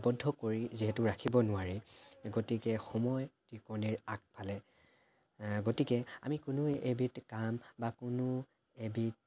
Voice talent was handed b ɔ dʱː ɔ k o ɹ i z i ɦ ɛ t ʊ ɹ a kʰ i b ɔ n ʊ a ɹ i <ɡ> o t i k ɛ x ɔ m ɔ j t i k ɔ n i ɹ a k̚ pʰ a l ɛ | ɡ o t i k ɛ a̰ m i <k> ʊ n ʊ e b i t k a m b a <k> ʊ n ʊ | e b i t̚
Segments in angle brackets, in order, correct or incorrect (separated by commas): correct, correct, correct